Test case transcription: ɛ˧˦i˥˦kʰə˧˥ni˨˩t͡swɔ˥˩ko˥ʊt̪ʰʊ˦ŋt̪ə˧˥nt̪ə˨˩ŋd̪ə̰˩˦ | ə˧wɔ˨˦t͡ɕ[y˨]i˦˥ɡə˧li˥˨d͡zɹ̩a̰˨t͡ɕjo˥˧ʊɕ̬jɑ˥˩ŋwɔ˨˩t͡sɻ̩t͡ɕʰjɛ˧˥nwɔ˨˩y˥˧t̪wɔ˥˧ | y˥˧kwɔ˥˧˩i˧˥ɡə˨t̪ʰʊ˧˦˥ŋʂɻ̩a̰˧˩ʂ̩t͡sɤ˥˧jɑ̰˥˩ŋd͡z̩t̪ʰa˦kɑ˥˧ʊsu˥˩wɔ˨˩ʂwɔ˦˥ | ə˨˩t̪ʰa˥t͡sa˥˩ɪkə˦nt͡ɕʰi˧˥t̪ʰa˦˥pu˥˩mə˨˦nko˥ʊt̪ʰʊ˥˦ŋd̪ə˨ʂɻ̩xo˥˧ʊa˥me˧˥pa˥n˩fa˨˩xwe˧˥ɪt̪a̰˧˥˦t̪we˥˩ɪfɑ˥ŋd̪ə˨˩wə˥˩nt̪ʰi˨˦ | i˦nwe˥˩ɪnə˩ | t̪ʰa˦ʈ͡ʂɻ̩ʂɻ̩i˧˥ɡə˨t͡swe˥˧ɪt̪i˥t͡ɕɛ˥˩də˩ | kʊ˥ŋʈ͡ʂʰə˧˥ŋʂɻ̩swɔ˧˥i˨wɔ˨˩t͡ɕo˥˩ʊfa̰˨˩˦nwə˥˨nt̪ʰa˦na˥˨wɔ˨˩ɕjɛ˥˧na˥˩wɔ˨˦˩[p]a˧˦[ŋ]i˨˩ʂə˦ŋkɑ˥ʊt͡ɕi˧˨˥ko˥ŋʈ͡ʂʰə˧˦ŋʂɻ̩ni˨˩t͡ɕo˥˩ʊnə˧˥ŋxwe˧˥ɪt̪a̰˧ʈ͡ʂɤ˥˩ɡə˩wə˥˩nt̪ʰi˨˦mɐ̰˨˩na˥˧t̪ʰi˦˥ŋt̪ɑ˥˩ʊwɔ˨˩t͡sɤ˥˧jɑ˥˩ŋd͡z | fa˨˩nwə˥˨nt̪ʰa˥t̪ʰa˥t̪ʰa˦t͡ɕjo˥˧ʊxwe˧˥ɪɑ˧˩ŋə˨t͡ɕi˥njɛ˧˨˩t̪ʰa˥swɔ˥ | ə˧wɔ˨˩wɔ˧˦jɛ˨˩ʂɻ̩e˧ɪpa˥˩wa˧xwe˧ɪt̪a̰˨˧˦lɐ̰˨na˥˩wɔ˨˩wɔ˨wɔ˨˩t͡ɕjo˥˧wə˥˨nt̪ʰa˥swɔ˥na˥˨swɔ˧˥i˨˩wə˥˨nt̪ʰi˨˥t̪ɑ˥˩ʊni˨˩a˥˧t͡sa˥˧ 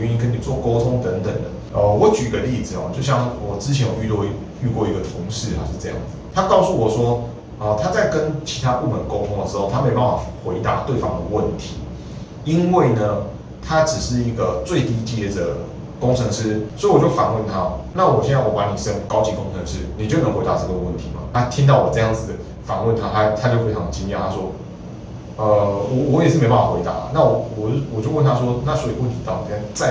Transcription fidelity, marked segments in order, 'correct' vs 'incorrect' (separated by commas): correct, correct, incorrect